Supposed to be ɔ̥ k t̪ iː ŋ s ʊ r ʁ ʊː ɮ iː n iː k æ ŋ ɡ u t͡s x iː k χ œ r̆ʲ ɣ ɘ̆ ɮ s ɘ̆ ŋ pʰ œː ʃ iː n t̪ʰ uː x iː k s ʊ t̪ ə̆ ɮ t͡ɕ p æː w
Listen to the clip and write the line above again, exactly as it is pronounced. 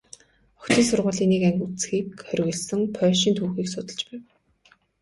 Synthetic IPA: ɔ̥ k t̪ iː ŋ s ʊ r ʁ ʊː ɮ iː n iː k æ ŋ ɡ u t͡s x iː k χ œ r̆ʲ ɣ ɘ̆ ɮ s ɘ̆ ŋ pʰ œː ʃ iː n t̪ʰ uː x iː k s ʊ t̪ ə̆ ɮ t͡ɕ p æː w